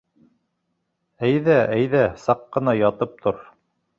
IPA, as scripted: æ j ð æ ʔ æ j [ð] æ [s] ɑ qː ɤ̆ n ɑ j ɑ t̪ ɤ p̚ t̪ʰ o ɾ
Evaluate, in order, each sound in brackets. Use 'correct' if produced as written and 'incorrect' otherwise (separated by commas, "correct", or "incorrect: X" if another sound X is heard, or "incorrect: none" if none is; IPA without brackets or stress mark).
correct, correct